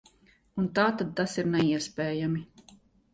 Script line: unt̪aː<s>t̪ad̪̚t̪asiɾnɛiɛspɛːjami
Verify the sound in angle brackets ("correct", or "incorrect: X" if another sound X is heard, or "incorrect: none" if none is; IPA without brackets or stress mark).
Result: incorrect: none